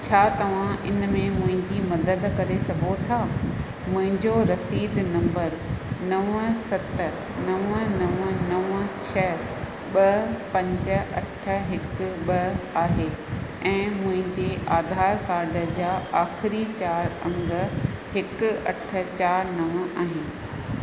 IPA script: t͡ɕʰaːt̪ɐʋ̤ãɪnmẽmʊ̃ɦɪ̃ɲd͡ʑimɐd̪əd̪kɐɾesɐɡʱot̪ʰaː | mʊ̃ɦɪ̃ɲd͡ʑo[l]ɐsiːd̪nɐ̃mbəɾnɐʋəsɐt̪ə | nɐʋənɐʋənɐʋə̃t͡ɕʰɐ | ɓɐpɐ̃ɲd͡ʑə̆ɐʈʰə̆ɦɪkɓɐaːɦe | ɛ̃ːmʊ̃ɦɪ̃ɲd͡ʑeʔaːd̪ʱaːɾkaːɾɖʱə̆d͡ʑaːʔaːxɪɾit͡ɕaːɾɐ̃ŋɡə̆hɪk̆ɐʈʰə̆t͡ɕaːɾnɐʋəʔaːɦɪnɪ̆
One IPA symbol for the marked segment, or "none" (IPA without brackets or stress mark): ɾ